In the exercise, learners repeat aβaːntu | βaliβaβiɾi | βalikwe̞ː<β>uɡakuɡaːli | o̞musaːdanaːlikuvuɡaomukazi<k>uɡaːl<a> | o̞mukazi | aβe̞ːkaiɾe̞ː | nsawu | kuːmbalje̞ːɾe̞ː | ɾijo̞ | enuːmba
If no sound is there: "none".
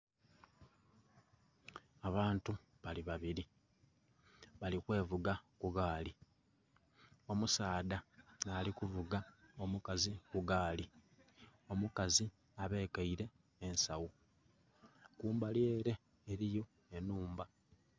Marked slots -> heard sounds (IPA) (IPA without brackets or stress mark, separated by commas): v, k, i